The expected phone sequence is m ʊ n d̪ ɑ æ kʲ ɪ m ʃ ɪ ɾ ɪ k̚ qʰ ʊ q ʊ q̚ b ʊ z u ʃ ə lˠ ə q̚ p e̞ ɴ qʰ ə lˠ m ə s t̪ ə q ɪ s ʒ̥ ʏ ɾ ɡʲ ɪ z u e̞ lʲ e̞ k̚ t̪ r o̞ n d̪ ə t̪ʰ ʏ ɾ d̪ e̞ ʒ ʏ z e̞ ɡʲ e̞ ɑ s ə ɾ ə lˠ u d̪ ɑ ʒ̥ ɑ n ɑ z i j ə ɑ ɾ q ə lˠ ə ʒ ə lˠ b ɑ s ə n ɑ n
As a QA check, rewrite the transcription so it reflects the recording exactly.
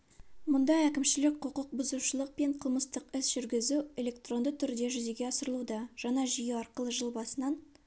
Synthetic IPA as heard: m ʊ n d̪ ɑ æ kʲ ɪ m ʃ ɪ l ɪ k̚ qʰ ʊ q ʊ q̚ b ʊ z u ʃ ə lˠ ə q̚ p e̞ ɴ qʰ ə lˠ m ə s t̪ ə q ɪ s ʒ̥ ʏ ɾ ɡʲ ɪ z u e̞ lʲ e̞ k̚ t̪ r o̞ n d̪ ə t̪ʰ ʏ ɾ d̪ e̞ ʒ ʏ z e̞ ɡʲ e̞ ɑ s ə ɾ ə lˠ u d̪ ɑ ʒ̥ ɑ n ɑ ʒ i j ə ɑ ɾ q ə lˠ ə ʒ ə lˠ b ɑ s ə n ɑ n

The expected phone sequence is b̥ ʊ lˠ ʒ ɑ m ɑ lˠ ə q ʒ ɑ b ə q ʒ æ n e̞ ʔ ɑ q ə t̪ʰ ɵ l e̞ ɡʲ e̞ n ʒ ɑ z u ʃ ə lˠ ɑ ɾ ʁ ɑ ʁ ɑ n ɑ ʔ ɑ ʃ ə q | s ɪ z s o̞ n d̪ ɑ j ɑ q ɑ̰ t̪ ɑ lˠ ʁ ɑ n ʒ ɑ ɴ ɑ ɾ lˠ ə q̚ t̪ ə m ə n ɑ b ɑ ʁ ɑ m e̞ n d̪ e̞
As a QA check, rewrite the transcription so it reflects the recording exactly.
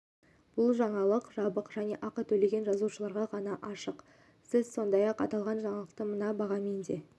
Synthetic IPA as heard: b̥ ʊ lˠ ʒ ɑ ɴ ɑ lˠ ə q ʒ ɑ b ə q ʒ æ n e̞ ʔ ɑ q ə t̪ʰ ɵ l e̞ ɡʲ e̞ n ʒ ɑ z u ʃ ə lˠ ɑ ɾ ʁ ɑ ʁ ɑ n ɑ ʔ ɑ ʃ ə q | s ɪ z s o̞ n d̪ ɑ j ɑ q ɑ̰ t̪ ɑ lˠ ʁ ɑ n ʒ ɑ ɴ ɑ lˠ ə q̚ t̪ ə m ə n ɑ b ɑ ʁ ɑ m e̞ n d̪ e̞

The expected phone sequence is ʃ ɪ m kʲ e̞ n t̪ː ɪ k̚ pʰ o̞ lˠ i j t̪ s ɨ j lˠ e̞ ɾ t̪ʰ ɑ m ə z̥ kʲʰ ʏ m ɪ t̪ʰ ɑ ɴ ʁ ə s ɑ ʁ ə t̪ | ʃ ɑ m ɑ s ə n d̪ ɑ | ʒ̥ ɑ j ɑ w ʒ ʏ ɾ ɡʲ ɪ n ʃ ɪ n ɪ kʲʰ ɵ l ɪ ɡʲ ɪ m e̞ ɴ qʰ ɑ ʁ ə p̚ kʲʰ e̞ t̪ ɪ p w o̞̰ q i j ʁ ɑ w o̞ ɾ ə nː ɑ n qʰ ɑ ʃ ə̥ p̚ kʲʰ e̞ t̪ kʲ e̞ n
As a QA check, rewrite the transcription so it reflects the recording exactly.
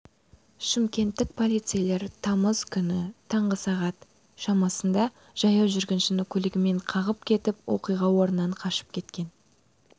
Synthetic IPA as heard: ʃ ɪ m kʲ e̞ n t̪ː ɪ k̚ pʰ o̞ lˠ i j t̪ s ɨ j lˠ e̞ ɾ t̪ʰ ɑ m ə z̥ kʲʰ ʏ n ɪ t̪ʰ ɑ ɴ ʁ ə s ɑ ʁ ɑ t̪ | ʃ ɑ m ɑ s ə n d̪ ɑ | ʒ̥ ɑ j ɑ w ʒ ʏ ɾ ɡʲ ɪ n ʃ ɪ n ɪ kʲʰ ɵ l ɪ ɡʲ ɪ m e̞ ɴ qʰ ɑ ʁ ə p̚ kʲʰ e̞ t̪ ɪ p w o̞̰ q i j ʁ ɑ w o̞ ɾ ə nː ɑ ɴ qʰ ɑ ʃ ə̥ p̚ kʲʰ e̞ t̪ kʲ e̞ n

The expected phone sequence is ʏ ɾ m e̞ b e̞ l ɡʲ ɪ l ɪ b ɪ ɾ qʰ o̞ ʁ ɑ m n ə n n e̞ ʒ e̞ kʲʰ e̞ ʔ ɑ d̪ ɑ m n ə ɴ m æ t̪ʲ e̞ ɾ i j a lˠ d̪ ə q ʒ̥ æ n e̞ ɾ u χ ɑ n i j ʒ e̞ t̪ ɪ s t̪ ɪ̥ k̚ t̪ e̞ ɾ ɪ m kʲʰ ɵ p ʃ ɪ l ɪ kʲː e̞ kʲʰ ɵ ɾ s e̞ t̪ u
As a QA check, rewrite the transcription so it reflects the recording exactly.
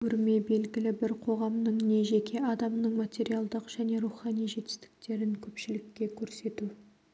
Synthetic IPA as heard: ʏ ɾ m e̞ b e̞ l ɡʲ ɪ l ɪ b ɪ ɾ qʰ o̞ ʁ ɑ m n ə ɴ n e̞ ʒ e̞ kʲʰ e̞ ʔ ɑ d̪ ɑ m n ə ɴ m a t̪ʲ e̞ ɾ i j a lˠ d̪ ə q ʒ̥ æ n e̞ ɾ u χ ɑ n i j ʒ e̞ t̪ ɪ s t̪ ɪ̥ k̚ t̪ e̞ ɾ ɪ ŋ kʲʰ ɵ p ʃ ɪ l ɪ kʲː e̞ kʲʰ ɵ ɾ s e̞ t̪ u

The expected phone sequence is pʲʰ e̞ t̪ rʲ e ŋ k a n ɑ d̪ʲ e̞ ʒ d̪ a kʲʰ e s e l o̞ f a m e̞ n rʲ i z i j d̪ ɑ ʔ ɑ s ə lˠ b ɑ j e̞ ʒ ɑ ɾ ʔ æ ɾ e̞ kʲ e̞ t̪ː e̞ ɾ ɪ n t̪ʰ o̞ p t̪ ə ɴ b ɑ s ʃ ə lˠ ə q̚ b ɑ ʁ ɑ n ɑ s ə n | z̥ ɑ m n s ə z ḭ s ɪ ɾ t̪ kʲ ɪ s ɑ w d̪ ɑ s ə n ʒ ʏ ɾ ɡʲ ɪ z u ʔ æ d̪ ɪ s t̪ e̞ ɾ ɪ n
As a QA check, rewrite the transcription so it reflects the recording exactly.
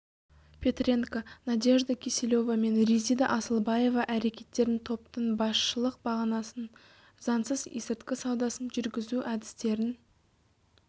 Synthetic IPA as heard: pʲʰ e̞ t̪ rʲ e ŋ k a n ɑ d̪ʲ e̞ ʒ d̪ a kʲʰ e s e l o̞ v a m e̞ n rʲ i z i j d̪ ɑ ʔ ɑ s ə lˠ b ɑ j e̞ v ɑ ʔ æ ɾ e̞ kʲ e̞ t̪ː e̞ ɾ ɪ n t̪ʰ o̞ p t̪ ə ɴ b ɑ s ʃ ə lˠ ə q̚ b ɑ ʁ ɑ n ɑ s ə n | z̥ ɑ n s ə z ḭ s ɪ ɾ t̪ kʲ ɪ s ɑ w d̪ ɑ s ə n ʒ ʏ ɾ ɡʲ ɪ z u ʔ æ d̪ ɪ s t̪ e̞ ɾ ɪ n

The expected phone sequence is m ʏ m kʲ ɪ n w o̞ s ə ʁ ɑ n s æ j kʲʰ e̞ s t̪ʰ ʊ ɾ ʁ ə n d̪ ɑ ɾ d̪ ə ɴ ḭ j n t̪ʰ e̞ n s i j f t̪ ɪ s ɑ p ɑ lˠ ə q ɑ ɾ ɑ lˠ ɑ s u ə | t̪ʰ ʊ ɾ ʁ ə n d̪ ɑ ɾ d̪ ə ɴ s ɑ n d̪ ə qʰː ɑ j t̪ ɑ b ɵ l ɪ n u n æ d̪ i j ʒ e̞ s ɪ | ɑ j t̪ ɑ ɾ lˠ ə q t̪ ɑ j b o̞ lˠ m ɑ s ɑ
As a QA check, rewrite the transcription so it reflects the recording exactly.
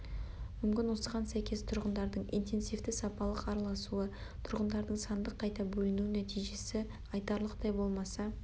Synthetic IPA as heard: m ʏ m kʲ ɪ n w o̞ s ə ʁ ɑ n s æ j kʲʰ e̞ s t̪ʰ ʊ ɾ ʁ ə n d̪ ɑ ɾ d̪ ə ɴ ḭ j n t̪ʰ e̞ n s i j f t̪ ɪ s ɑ p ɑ lˠ ə q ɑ ɾ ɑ lˠ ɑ s u ə | t̪ʰ ʊ ɾ ʁ ə n d̪ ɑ ɾ d̪ ə ɴ s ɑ n d̪ ə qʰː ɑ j t̪ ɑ b ɵ l ɪ n u n æ t̪ i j ʒ e̞ s ɪ | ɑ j t̪ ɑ ɾ lˠ ə q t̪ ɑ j b o̞ lˠ m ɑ s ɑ

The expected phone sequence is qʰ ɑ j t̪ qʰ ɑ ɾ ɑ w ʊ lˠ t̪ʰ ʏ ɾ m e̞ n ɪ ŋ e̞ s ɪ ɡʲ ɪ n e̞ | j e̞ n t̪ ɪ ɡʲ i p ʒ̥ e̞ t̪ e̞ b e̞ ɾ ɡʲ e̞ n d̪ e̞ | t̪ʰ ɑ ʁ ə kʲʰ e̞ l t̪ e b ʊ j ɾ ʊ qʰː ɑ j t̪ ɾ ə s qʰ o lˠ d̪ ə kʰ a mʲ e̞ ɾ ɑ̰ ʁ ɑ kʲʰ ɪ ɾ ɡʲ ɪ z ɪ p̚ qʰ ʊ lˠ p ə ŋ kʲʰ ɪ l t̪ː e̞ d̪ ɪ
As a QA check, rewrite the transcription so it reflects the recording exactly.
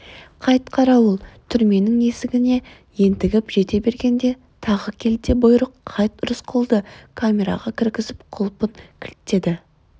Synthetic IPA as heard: qʰ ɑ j t̪ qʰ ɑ ɾ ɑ w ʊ lˠ t̪ʰ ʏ ɾ m e̞ n ɪ ŋ e̞ s ɪ ɡʲ ɪ n e̞ | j e̞ n t̪ ɪ ɡʲ ɪ p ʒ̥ e̞ t̪ e̞ b e̞ ɾ ɡʲ e̞ n d̪ e̞ | t̪ʰ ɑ ʁ ə kʲʰ e̞ l t̪ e b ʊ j ɾ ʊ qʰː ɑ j t̪ ɾ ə s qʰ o lˠ d̪ ə kʰ a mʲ e̞ ɾ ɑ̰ ʁ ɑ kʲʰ ɪ ɾ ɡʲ ɪ z ɪ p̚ qʰ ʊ lˠ p ə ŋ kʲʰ ɪ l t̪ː e̞ d̪ ɪ

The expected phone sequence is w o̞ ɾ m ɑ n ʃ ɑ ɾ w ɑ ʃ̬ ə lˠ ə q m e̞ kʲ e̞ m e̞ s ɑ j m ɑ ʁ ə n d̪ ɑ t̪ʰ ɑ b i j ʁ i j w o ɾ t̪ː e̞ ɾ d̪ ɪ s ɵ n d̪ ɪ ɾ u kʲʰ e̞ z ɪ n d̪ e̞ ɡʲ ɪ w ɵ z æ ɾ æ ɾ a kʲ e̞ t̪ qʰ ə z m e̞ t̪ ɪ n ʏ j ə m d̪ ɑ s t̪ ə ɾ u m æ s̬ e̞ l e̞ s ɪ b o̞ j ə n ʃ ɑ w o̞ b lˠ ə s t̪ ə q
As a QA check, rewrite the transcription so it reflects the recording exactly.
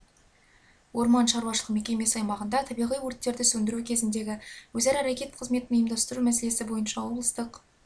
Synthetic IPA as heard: w o̞ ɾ m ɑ n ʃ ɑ ɾ w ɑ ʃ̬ ə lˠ ə q m e̞ kʲ e̞ m e̞ s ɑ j m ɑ ʁ ə n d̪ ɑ t̪ʰ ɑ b i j ʁ i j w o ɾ t̪ː e̞ ɾ d̪ ɪ s ɵ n d̪ ɪ ɾ u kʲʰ e̞ z ɪ n d̪ e̞ ɡʲ ɪ w ɵ z æ ɾ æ ɾ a kʲ e̞ t̪ qʰ ə z m e̞ t̪ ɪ n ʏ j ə m d̪ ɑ s t̪ ə ɾ u m æ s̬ e̞ l e̞ s ɪ b o̞ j ə n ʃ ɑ w o̞ b lˠ ə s t̪ ə q

